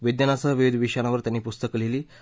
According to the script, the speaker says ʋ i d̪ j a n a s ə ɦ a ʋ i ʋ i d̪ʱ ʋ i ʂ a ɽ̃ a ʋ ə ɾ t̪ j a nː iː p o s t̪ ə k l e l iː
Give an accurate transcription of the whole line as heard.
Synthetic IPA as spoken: ʋ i d̪ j a n a s ə ɦ ə ʋ i ʋ i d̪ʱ ʋ i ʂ a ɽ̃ a ʋ ə ɾ t̪ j a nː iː p u s t̪ ə k l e l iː